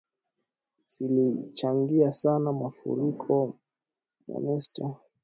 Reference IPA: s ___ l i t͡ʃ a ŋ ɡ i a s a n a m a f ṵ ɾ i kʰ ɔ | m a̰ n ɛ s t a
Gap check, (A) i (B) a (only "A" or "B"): A